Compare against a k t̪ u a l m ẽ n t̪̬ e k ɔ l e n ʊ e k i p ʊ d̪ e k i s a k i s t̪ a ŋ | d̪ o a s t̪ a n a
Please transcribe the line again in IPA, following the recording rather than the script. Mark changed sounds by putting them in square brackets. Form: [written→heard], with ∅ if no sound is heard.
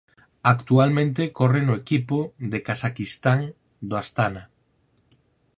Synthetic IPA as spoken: a k t̪ u a l m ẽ n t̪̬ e k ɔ [l→r] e n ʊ e k i p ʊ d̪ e k [i→a] s a k i s t̪ a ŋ | d̪ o a s t̪ a n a

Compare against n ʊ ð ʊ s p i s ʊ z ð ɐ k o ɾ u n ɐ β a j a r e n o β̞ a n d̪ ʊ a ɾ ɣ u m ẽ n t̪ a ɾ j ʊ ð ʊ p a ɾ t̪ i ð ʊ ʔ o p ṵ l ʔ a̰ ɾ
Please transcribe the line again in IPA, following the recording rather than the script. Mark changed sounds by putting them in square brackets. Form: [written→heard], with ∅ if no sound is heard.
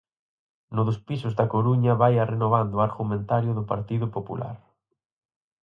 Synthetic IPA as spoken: n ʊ ð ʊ s p i s ʊ z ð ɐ k o ɾ u [n→ɲ] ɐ β a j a r e n o β̞ a n d̪ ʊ a ɾ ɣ u m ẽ n t̪ a ɾ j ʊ ð ʊ p a ɾ t̪ i ð ʊ [ʔ→p] o p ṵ l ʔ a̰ ɾ

